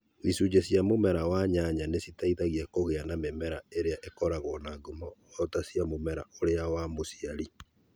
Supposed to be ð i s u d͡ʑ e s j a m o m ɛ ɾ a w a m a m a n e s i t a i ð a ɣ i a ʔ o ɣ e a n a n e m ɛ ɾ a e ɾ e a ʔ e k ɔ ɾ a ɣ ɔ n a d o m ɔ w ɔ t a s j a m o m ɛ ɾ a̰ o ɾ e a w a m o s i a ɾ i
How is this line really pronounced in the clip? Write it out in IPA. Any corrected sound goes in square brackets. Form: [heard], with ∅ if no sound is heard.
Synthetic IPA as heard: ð i s u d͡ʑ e s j a m o m ɛ ɾ a w a [ɲ] a [ɲ] a n e s i t a i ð a ɣ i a [k] o ɣ e a n a [m] e m ɛ ɾ a e ɾ e a ʔ e k ɔ ɾ a ɣ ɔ n a [ɡ] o m ɔ w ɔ t a s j a m o m ɛ ɾ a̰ o ɾ e a w a m o s i a ɾ i

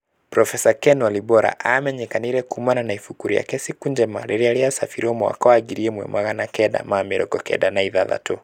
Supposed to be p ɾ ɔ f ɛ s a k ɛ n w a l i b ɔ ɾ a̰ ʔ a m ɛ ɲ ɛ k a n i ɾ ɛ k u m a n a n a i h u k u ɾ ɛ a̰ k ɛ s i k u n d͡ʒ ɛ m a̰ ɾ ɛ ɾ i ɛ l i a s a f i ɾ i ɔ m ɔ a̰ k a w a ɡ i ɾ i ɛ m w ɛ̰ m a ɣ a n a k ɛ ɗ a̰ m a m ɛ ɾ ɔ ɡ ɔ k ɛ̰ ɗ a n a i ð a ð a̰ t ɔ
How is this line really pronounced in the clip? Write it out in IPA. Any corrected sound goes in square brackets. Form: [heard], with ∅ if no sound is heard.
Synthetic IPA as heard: p ɾ ɔ f ɛ s a k ɛ n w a l i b ɔ ɾ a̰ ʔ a m ɛ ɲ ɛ k a n i ɾ ɛ k u m a n a n a i [f] u k u ɾ [i] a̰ k ɛ s i k u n d͡ʒ ɛ m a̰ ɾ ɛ ɾ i [a] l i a s a f i ɾ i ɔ m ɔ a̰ k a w a ɡ i ɾ i ɛ m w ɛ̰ m a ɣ a n a k ɛ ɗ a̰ m a m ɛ ɾ ɔ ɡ ɔ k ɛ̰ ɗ a n a i ð a ð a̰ t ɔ

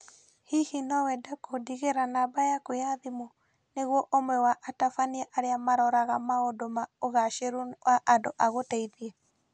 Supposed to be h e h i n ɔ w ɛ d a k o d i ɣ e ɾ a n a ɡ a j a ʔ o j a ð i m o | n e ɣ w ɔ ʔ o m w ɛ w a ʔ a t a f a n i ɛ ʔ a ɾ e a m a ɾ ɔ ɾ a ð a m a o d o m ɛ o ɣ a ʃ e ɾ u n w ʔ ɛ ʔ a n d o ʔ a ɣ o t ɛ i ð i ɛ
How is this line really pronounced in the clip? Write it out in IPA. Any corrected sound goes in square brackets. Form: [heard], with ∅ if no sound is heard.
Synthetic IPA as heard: h [i] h i n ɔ w ɛ d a k o d i ɣ e ɾ a n a [b] a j a [k] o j a ð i m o | n e ɣ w ɔ ʔ o m w ɛ w a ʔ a t a f a n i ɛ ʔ a ɾ e a m a ɾ ɔ ɾ a [ɣ] a m a o d o m [a] o ɣ a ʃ e ɾ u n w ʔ [a] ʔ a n d o ʔ a ɣ o t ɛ i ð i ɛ

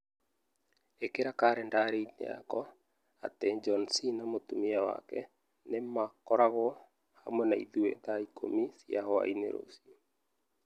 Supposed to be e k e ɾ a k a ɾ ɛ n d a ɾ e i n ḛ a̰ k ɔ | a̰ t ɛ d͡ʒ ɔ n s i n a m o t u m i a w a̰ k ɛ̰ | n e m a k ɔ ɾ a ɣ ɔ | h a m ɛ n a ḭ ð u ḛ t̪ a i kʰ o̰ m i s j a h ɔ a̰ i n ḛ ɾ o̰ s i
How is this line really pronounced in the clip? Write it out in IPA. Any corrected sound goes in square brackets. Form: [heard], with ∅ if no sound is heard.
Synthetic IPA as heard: e k e ɾ a k a ɾ ɛ n d a ɾ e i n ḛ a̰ k ɔ | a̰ t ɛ d͡ʒ ɔ n s i n a m o t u m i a w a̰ k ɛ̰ | n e m a k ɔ ɾ a ɣ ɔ | h a m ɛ n a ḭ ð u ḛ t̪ a i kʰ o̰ m i s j a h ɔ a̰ i n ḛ ɾ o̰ s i

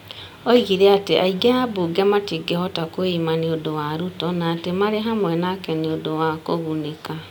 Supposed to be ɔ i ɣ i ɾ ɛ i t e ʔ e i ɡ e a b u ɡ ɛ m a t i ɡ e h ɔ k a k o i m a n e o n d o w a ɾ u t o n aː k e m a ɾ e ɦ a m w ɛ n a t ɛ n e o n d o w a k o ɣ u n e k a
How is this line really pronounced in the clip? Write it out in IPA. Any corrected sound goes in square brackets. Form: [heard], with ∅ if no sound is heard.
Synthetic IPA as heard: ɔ i ɣ i ɾ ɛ [a] t e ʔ [a] i ɡ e a b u ɡ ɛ m a t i ɡ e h ɔ [t] a k o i m a n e o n d o w a ɾ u t [ɔ] n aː [t] e m a ɾ e ɦ a m w ɛ n a [k] ɛ n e o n d o w a k o ɣ u n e k a

